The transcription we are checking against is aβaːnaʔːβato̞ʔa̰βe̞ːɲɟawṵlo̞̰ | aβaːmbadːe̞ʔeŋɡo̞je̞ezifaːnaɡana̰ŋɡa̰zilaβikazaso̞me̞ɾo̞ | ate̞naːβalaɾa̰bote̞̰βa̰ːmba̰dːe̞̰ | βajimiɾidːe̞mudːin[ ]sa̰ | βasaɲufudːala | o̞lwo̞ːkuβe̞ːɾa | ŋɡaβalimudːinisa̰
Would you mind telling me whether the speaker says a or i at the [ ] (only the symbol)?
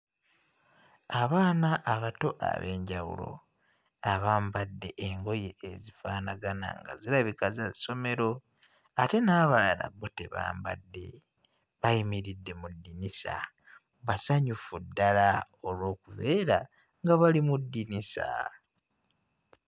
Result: i